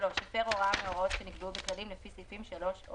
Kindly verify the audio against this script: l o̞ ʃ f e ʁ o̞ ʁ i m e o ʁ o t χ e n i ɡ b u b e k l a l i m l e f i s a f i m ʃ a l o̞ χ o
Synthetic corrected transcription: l o̞ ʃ f e ʁ o̞ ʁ a m e o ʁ o t ʃ e n i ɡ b u b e k l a l i m l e f i s i f i m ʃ a l o̞ ʃ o